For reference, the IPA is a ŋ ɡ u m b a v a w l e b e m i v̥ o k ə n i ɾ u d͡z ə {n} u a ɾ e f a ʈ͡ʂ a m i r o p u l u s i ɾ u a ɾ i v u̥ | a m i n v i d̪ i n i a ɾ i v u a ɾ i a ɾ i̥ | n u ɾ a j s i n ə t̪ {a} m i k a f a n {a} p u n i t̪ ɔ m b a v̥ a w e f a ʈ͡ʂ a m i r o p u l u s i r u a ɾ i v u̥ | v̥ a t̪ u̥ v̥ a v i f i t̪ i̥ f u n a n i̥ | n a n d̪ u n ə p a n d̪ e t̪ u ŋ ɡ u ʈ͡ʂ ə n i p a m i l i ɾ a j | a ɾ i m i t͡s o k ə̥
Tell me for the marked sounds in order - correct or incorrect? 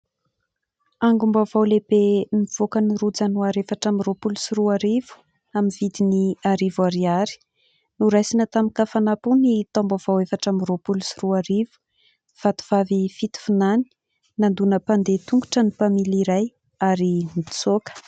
correct, correct, correct

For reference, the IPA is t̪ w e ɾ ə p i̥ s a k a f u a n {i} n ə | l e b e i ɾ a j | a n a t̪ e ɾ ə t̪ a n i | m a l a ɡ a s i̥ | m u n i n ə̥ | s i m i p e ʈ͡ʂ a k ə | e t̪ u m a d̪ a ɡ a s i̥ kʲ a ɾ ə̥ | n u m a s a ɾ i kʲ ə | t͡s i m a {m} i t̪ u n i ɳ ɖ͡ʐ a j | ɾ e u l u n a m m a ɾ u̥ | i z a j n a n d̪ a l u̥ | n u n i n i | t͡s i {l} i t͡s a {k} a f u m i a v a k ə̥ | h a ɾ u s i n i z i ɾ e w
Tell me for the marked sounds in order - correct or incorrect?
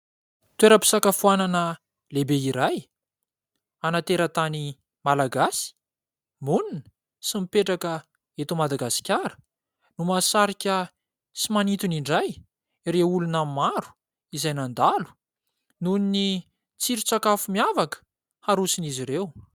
incorrect, incorrect, incorrect, correct

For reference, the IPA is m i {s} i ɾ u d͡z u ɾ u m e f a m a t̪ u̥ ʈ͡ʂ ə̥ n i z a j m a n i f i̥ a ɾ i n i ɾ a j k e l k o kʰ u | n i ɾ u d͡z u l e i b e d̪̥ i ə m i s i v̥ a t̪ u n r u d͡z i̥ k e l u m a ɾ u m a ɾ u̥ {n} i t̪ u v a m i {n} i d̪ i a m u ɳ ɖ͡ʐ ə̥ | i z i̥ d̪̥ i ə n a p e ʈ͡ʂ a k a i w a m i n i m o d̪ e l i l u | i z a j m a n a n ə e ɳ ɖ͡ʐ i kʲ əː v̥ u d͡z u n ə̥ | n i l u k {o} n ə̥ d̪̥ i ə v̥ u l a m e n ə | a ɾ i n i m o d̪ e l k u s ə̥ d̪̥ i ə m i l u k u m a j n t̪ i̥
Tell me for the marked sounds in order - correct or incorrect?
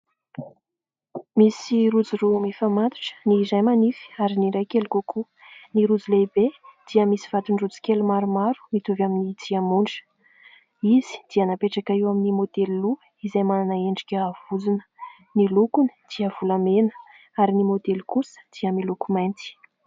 correct, incorrect, correct, incorrect

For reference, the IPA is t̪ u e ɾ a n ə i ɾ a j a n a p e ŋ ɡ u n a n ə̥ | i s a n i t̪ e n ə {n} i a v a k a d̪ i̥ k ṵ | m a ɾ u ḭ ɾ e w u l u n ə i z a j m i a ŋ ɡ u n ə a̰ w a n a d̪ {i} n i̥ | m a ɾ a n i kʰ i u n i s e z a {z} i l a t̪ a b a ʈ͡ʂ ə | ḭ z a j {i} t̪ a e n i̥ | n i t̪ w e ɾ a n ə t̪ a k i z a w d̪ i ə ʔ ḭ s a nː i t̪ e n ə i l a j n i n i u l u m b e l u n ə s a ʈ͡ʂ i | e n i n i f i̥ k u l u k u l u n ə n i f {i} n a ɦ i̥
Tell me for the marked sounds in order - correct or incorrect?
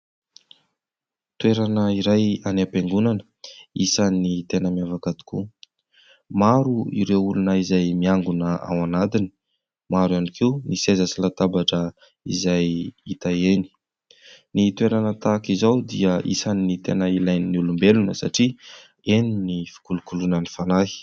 incorrect, correct, incorrect, correct, incorrect

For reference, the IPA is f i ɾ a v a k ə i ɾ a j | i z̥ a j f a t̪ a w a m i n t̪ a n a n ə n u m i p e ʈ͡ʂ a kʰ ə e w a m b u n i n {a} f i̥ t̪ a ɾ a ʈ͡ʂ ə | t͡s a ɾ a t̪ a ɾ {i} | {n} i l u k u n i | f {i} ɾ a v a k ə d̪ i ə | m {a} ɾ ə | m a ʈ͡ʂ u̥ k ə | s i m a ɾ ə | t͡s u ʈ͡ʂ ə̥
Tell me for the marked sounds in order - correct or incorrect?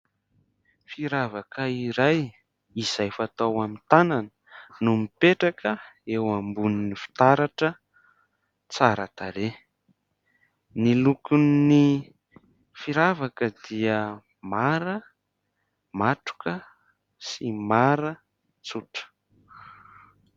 incorrect, incorrect, correct, correct, correct

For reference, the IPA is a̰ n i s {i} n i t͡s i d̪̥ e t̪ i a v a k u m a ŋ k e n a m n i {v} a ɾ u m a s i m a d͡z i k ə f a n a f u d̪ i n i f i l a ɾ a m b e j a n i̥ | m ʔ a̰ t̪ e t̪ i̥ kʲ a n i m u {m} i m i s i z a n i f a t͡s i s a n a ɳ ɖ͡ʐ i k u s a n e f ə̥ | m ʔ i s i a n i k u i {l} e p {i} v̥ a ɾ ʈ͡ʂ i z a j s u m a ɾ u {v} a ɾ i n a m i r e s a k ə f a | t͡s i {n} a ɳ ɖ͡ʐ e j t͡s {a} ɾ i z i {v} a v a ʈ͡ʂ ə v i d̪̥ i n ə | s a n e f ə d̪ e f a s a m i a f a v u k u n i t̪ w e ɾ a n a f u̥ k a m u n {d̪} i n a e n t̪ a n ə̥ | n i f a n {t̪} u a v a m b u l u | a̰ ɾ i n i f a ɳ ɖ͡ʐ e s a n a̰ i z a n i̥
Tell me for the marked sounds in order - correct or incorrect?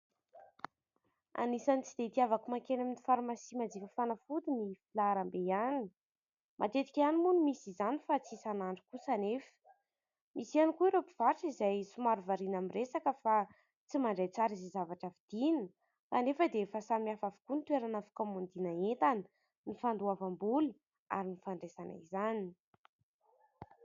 incorrect, incorrect, incorrect, incorrect, correct, correct, incorrect, correct, incorrect, correct, incorrect

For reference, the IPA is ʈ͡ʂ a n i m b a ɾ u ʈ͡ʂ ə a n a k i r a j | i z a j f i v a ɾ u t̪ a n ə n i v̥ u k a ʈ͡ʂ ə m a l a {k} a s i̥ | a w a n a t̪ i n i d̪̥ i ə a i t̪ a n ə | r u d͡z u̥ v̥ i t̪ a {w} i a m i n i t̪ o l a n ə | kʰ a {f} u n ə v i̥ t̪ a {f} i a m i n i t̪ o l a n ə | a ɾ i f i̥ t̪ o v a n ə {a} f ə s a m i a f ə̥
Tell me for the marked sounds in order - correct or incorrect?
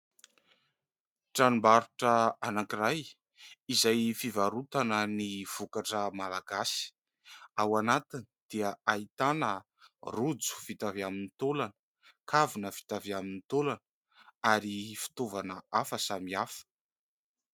incorrect, incorrect, incorrect, incorrect, correct

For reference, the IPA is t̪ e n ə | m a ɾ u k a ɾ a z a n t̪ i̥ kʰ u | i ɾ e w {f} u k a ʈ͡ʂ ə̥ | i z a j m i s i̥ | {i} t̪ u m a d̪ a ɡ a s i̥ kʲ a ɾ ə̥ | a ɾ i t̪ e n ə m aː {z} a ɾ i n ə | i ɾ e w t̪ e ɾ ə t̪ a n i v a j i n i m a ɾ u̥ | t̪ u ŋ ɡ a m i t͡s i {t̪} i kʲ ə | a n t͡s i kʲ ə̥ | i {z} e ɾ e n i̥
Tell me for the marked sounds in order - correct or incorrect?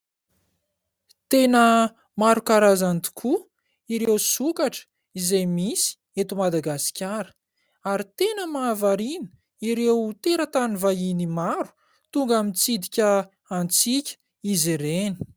incorrect, incorrect, incorrect, incorrect, correct

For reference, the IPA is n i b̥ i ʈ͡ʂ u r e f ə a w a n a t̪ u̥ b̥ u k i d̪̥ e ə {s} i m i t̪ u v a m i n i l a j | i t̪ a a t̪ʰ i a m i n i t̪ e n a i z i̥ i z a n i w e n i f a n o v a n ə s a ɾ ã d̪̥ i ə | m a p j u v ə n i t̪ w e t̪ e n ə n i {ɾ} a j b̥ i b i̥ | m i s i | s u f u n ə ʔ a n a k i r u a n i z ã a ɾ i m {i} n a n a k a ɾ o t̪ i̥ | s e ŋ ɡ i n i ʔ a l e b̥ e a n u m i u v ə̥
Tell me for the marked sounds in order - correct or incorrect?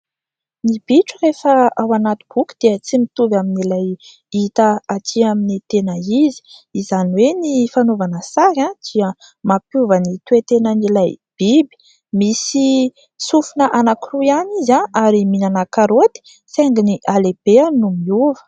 incorrect, incorrect, correct

